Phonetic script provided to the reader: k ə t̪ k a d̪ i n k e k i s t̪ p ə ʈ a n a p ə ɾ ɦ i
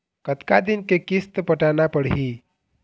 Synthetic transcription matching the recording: k ə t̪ k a d̪ i n k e k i s t̪ p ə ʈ a n a p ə ɽ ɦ i